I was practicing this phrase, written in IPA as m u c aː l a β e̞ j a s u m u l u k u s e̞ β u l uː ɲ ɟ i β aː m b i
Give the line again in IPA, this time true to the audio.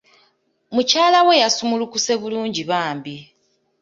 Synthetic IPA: m u c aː l a w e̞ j a s u m u l u k u s e̞ β u l uː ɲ ɟ i β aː m b i